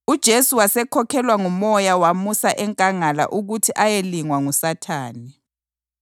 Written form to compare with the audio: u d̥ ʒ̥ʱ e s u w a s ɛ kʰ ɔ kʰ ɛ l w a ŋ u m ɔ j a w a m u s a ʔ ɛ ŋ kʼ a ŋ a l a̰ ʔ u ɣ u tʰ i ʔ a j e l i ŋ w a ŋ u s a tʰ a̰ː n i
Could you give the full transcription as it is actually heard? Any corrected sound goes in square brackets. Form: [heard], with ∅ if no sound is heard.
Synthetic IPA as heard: u d̥ ʒ̥ʱ e s u w a s ɛ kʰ ɔ kʰ ɛ l w a ŋ u m ɔ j a w a m u s a ʔ ɛ ŋ kʼ a ŋ a l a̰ ʔ u ɣ u tʰ i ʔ a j e l i ŋ w a ŋ u s a tʰ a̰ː n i